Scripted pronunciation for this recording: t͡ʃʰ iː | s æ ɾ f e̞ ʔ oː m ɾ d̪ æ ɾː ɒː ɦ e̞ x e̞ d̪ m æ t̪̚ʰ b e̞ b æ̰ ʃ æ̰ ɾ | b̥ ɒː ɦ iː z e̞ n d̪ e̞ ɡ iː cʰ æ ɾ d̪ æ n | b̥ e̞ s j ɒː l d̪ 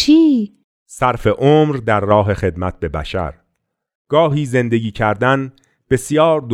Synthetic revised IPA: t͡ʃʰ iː | s æ ɾ f e̞ ʔ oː m ɾ d̪ æ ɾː ɒː ɦ e̞ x e̞ d̪ m æ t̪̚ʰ b e̞ b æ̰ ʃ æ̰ ɾ | ɡ̥ ɒː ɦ iː z e̞ n d̪ e̞ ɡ iː cʰ æ ɾ d̪ æ n | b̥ e̞ s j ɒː ɾ d̪